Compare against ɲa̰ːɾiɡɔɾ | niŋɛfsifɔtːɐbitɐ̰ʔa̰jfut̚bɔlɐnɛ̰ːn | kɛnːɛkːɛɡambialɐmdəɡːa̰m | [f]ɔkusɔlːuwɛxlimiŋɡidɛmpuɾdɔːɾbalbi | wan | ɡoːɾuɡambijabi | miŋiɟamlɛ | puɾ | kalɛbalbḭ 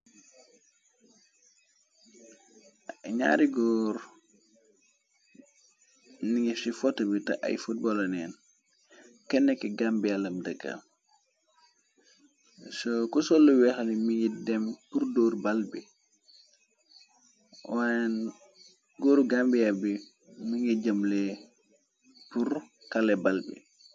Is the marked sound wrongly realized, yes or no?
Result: yes